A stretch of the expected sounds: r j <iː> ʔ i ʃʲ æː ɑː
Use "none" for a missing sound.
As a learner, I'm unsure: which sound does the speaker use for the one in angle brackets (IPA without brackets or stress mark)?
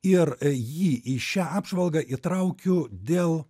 iː